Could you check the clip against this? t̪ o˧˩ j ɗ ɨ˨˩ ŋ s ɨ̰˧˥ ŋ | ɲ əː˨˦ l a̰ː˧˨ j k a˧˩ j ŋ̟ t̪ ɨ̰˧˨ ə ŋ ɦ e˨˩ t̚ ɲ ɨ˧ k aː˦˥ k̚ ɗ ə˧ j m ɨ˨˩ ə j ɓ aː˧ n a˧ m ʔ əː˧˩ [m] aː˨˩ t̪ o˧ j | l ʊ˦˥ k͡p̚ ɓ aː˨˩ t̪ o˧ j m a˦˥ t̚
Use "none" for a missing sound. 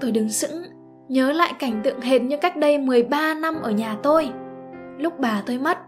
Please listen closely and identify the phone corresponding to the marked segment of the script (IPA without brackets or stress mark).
ɲ